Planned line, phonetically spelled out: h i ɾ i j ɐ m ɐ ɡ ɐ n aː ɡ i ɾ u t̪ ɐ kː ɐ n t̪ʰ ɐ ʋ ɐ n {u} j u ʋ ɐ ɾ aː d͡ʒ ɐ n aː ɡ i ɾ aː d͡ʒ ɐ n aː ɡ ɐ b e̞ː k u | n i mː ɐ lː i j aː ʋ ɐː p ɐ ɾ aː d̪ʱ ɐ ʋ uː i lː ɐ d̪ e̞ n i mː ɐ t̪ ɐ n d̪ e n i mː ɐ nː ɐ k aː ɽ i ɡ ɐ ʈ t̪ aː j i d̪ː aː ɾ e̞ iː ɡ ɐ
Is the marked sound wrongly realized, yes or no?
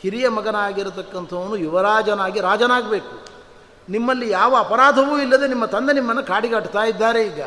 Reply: no